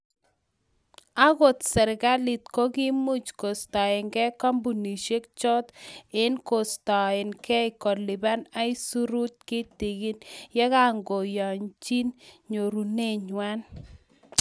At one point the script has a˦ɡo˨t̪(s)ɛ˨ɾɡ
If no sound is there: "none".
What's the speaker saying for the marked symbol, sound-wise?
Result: s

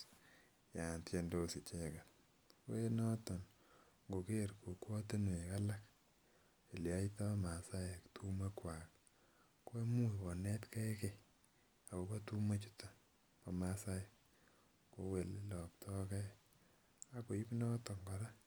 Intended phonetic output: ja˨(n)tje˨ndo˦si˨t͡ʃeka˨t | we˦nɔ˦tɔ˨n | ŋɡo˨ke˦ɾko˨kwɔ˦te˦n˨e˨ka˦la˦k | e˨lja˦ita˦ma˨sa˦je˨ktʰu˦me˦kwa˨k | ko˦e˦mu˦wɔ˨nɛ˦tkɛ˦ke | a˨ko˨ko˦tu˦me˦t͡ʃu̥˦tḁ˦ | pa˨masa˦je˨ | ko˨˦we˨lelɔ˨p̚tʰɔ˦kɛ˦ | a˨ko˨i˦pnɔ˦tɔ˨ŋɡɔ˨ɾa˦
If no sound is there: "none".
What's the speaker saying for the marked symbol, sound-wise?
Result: n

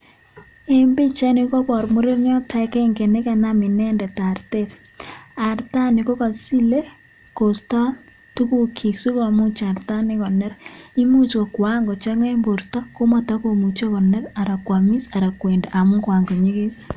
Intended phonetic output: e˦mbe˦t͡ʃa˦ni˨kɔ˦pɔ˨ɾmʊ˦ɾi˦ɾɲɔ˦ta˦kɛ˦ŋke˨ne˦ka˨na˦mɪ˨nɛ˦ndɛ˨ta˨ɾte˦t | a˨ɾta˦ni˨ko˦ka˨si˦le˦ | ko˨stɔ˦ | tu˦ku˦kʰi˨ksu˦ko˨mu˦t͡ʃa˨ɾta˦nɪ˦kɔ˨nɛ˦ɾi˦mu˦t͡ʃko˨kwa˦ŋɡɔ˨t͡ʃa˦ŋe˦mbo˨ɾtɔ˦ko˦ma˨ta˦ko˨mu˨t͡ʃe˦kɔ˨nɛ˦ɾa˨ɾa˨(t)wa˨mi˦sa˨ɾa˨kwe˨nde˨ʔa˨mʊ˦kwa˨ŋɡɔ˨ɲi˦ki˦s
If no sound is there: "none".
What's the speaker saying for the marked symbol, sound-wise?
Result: k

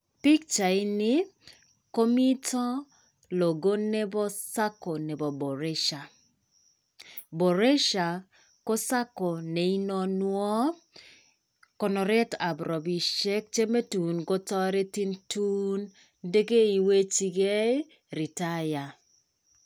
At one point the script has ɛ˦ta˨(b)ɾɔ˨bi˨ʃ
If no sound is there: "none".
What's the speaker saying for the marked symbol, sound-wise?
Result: b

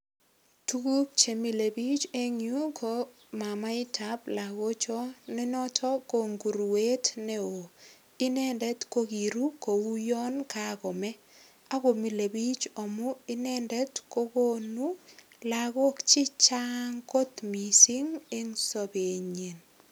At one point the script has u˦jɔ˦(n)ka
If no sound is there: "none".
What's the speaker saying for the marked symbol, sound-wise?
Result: n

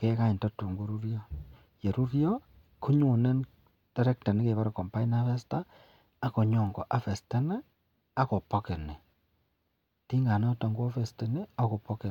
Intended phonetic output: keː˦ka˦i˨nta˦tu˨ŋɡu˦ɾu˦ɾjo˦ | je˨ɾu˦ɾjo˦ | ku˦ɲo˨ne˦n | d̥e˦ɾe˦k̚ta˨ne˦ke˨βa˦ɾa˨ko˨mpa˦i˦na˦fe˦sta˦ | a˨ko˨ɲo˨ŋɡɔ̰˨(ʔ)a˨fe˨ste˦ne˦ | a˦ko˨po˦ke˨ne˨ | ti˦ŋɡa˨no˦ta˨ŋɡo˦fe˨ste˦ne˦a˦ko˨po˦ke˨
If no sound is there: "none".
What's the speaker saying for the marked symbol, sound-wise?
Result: ʔ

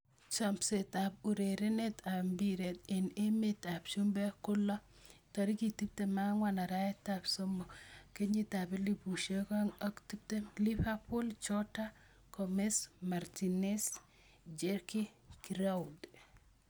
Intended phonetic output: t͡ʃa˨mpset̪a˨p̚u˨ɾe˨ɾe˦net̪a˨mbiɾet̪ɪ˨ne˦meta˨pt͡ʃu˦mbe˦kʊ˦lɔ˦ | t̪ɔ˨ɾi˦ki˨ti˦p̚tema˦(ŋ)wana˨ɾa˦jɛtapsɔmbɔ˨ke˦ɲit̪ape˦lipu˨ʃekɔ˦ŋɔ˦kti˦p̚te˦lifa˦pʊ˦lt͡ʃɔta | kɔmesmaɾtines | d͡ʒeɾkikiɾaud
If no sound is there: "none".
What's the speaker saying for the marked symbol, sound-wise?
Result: ŋ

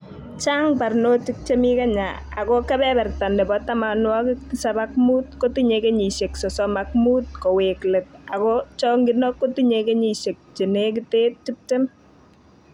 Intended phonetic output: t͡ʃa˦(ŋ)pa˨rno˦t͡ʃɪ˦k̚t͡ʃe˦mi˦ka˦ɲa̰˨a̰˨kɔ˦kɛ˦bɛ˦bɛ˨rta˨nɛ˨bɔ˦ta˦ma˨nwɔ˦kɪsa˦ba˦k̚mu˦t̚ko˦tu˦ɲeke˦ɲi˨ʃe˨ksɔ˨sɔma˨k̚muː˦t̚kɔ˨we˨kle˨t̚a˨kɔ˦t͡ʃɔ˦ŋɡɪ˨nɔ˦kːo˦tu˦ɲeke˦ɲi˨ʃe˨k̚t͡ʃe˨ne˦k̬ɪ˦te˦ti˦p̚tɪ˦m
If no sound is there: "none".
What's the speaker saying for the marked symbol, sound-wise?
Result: ŋ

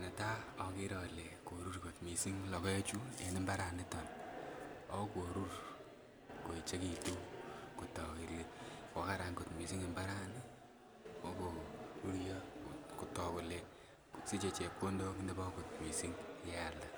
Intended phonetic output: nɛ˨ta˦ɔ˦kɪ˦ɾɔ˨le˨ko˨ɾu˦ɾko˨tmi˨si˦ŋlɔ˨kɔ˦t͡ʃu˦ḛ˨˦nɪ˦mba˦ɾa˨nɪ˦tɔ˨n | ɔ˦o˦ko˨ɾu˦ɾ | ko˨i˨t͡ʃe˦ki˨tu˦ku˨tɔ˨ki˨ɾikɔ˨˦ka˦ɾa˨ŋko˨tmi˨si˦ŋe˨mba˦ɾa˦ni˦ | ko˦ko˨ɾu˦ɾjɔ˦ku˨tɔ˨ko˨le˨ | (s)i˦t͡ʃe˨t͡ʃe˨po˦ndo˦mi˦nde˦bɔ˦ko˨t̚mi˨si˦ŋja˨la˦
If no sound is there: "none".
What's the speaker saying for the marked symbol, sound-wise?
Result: s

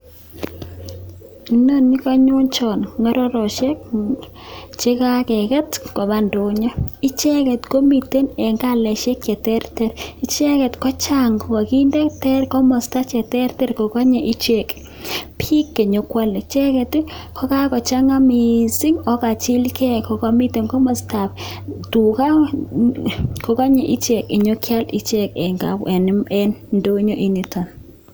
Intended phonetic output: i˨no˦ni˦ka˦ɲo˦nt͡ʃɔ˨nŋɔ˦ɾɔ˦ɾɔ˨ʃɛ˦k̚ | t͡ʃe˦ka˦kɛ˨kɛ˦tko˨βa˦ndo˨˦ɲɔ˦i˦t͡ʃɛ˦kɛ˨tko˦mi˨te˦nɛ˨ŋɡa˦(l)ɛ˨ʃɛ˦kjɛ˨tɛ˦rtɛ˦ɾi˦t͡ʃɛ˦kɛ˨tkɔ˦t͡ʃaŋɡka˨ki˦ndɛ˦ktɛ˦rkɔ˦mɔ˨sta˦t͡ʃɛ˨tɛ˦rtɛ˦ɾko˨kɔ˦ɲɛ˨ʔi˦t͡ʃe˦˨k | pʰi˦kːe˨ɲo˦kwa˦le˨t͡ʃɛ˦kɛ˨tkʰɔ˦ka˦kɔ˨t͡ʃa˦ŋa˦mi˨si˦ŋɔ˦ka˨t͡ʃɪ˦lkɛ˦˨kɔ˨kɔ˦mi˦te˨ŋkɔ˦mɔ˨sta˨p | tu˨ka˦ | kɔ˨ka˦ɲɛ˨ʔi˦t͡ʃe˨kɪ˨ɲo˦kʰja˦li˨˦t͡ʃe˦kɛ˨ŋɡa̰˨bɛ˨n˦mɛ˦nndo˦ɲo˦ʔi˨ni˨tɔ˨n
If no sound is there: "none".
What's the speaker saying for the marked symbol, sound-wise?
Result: l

